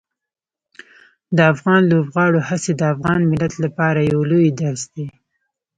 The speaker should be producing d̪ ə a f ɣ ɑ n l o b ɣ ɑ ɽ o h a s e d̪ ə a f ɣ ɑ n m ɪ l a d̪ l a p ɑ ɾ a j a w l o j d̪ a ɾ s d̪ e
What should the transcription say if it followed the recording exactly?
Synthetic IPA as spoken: d̪ ə a f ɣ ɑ n l o b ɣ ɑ ɽ o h a s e d̪ ə a f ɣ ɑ n m ɪ l a t̪ l a p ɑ ɾ a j a w l o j d̪ a ɾ s d̪ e